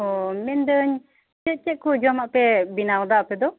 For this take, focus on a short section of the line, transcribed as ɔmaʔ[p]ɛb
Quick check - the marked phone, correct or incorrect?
correct